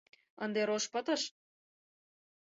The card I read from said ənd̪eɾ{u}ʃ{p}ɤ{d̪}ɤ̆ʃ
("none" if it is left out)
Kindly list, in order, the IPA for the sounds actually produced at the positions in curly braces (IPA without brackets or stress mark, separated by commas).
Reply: o, p, t̪